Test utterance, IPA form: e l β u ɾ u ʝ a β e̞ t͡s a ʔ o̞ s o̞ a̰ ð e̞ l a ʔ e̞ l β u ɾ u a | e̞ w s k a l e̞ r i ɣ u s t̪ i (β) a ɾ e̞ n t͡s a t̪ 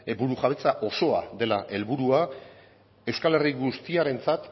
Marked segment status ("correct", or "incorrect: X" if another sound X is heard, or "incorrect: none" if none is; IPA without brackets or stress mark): incorrect: none